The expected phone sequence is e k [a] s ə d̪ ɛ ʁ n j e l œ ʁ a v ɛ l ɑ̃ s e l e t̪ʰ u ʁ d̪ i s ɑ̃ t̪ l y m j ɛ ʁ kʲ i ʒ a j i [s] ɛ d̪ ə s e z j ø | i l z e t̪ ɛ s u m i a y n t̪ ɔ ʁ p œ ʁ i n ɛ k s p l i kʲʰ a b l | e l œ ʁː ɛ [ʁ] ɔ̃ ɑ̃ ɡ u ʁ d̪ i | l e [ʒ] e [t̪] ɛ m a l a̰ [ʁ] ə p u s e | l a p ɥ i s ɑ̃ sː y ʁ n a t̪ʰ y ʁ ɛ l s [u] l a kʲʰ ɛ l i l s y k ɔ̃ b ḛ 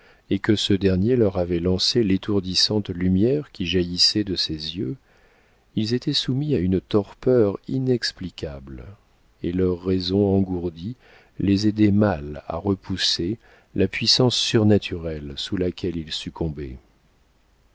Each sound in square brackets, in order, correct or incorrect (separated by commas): incorrect, correct, incorrect, incorrect, incorrect, correct, correct